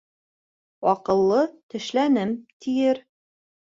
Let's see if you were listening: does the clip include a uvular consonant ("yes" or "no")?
yes